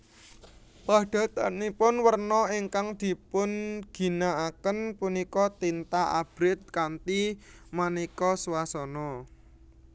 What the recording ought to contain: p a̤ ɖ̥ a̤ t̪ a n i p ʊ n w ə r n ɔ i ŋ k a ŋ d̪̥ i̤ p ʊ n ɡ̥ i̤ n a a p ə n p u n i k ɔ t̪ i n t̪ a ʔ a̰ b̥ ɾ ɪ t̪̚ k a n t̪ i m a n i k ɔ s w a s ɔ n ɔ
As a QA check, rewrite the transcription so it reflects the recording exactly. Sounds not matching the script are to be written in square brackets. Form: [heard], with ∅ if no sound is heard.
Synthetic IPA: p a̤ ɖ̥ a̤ t̪ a n i p ʊ n w ə r n ɔ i ŋ k a ŋ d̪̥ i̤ p ʊ n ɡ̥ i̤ n a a [k] ə n p u n i k ɔ t̪ i n t̪ a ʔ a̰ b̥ ɾ ɪ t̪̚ k a n t̪ i m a n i k ɔ s w a s ɔ n ɔ